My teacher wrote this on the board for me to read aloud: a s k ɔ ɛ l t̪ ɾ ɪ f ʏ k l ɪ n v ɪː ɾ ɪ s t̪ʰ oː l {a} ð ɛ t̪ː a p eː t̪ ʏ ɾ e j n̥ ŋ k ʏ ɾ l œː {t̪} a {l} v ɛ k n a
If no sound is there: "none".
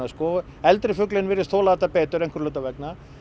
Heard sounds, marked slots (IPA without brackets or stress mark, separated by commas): a, t̪, none